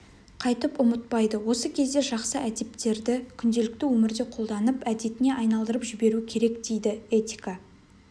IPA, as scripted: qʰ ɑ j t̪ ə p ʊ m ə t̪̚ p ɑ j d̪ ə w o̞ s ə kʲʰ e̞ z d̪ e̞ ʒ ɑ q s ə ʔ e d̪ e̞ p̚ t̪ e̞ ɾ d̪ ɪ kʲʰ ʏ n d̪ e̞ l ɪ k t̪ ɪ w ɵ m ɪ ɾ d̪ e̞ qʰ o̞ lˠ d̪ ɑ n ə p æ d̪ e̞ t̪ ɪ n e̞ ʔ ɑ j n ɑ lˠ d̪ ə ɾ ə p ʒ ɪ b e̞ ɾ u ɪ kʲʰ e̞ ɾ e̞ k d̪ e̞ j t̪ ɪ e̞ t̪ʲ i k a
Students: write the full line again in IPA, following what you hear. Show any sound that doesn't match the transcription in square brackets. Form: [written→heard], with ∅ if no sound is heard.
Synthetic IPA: qʰ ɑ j t̪ ə p ʊ m ə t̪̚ p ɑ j d̪ ə w o̞ s ə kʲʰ e̞ z d̪ e̞ ʒ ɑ q s ə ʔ [e→æ] d̪ e̞ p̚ t̪ e̞ ɾ d̪ ɪ kʲʰ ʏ n d̪ e̞ l ɪ k t̪ ɪ w ɵ m ɪ ɾ d̪ e̞ qʰ o̞ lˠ d̪ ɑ n ə p æ d̪ e̞ t̪ ɪ n e̞ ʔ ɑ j n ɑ lˠ d̪ ə ɾ ə p ʒ ɪ b e̞ ɾ u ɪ kʲʰ e̞ ɾ e̞ k d̪ e̞ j [t̪→d̪] ɪ e̞ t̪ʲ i k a

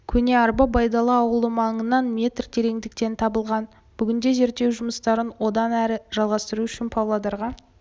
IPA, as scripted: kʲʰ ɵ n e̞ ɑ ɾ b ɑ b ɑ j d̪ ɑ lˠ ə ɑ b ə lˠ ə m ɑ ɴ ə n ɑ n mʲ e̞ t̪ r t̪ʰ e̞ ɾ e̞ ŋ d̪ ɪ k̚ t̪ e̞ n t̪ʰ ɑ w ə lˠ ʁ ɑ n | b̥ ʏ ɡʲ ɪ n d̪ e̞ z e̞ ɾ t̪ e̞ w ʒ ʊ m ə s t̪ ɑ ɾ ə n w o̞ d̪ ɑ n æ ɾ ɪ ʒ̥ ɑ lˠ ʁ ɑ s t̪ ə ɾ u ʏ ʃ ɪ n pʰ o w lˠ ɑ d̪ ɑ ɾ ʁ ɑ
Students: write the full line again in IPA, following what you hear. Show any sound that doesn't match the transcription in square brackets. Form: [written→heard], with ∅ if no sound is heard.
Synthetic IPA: kʲʰ ɵ n e̞ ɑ ɾ b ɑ b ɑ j d̪ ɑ lˠ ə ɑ [b→w] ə lˠ ə m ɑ ɴ ə n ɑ n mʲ e̞ t̪ r t̪ʰ e̞ ɾ e̞ ŋ d̪ ɪ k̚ t̪ e̞ n t̪ʰ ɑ [w→b] ə lˠ ʁ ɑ n | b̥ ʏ ɡʲ ɪ n d̪ e̞ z e̞ ɾ t̪ e̞ w ʒ ʊ m ə s t̪ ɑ ɾ ə n w o̞ d̪ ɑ n æ ɾ ɪ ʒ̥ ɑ lˠ ʁ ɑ s t̪ ə ɾ u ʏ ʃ ɪ n pʰ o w lˠ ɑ d̪ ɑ ɾ ʁ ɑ

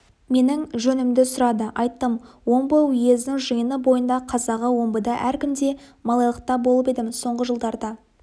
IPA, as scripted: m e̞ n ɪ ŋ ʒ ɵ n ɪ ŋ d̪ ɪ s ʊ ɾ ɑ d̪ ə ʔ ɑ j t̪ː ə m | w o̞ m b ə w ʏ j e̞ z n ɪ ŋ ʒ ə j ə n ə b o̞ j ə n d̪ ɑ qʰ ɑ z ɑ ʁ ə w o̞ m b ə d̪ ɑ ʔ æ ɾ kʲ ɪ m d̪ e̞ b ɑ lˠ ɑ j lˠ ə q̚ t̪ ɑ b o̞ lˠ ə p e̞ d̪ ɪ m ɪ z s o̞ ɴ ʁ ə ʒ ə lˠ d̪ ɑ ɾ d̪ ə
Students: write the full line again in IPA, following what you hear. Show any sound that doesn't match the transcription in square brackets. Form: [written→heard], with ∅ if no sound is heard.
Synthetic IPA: m e̞ n ɪ ŋ ʒ ɵ n ɪ [ŋ→m] d̪ ɪ s ʊ ɾ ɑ d̪ ə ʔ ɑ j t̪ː ə m | w o̞ m b ə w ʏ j e̞ z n ɪ ŋ ʒ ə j ə n ə b o̞ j ə n d̪ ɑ qʰ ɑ z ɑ ʁ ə w o̞ m b ə d̪ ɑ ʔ æ ɾ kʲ ɪ m d̪ e̞ [b→m] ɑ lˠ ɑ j lˠ ə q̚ t̪ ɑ b o̞ lˠ ə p e̞ d̪ ɪ m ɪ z s o̞ ɴ ʁ ə ʒ ə lˠ d̪ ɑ ɾ d̪ [ə→ɑ]

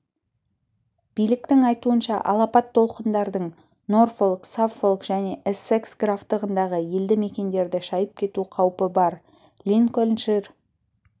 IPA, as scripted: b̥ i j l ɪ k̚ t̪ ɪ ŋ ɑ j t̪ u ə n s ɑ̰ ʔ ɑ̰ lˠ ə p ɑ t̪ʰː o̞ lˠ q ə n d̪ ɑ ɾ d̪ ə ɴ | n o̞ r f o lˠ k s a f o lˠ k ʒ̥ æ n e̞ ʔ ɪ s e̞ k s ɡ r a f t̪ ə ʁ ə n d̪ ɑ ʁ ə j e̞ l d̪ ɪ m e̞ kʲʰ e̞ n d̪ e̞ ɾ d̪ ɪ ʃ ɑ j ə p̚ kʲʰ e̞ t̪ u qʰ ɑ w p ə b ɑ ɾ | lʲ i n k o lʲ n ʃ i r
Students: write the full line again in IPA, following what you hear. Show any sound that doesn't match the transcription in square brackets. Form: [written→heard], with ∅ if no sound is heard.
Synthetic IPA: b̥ i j l ɪ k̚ t̪ ɪ ŋ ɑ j t̪ u ə n [s→ʃ] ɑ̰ ʔ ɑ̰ lˠ [ə→ɑ] p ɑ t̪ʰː o̞ lˠ q ə n d̪ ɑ ɾ d̪ ə ɴ | n o̞ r f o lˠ k s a f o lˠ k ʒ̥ æ n e̞ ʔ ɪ s e̞ k s ɡ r a f t̪ ə ʁ ə n d̪ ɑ ʁ ə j e̞ l d̪ ɪ m e̞ [kʲʰ→kʲ] e̞ n d̪ e̞ ɾ d̪ ɪ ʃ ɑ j ə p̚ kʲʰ e̞ t̪ u qʰ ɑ w p ə b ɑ ɾ | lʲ i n k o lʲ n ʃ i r

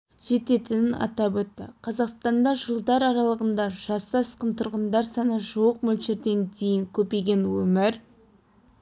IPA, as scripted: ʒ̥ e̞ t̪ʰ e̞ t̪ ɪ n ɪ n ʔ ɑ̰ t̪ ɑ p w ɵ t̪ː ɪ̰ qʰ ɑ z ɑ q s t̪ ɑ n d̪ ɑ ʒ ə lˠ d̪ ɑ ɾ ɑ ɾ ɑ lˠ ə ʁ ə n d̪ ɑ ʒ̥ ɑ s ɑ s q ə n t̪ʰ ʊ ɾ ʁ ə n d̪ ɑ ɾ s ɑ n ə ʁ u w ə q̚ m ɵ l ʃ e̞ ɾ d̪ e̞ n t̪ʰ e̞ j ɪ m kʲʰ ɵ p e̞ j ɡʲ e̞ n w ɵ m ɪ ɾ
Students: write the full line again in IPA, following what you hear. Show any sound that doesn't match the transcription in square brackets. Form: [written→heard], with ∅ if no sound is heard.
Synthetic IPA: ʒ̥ e̞ [t̪ʰ→t̪] e̞ t̪ ɪ n ɪ n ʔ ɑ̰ t̪ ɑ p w ɵ t̪ː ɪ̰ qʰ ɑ z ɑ q s t̪ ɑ n d̪ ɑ ʒ ə lˠ d̪ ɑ ɾ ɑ ɾ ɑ lˠ ə ʁ ə n d̪ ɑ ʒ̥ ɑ s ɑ s q ə n t̪ʰ ʊ ɾ ʁ ə n d̪ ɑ ɾ s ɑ n ə [ʁ→ʒ] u w ə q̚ m ɵ l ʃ e̞ ɾ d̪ e̞ n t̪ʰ e̞ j ɪ [m→ŋ] kʲʰ ɵ p e̞ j ɡʲ e̞ n w ɵ m ɪ ɾ

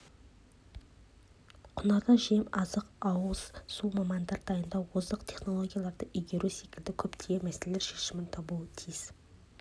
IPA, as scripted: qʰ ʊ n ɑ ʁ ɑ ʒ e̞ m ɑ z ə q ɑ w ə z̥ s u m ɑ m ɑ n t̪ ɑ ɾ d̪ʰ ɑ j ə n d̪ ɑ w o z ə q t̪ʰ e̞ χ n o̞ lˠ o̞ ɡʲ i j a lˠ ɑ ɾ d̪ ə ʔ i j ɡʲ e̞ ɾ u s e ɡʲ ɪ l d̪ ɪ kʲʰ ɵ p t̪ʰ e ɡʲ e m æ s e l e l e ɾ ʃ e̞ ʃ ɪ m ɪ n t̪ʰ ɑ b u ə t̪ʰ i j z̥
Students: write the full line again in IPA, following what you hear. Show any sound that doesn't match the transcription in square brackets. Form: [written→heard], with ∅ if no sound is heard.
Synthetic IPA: qʰ ʊ n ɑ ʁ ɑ ʒ e̞ m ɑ z ə q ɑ w ə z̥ s u m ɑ m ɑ n [t̪→d̪] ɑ ɾ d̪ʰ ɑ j ə n d̪ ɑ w o z ə q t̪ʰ e̞ χ n o̞ lˠ o̞ ɡʲ i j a lˠ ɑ ɾ d̪ ə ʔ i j ɡʲ e̞ ɾ u s e [ɡʲ→kʲ] ɪ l d̪ ɪ kʲʰ ɵ p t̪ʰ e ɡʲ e m æ s e l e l e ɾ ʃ e̞ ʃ ɪ m ɪ n t̪ʰ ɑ b u ə t̪ʰ i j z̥

